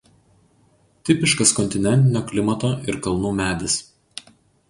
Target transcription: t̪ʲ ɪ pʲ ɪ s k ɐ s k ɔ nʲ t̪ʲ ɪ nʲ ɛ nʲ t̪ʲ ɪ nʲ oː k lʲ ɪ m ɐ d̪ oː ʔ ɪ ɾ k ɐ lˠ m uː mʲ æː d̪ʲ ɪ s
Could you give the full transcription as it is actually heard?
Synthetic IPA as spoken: t̪ʲ ɪ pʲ ɪ ʃ k ɐ s k ɔ nʲ t̪ʲ ɪ nʲ ɛ nʲ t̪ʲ ɪ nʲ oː k lʲ ɪ m ɐ t̪ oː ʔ ɪ ɾ k ɐ lˠ n uː mʲ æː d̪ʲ ɪ s